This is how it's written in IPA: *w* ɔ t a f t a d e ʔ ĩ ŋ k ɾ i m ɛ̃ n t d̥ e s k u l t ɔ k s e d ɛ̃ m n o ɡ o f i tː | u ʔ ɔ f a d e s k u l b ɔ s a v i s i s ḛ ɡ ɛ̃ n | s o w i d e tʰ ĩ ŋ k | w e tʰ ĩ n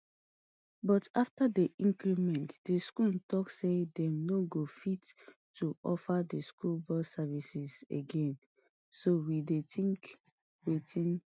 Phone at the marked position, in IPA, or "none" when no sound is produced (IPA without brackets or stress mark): b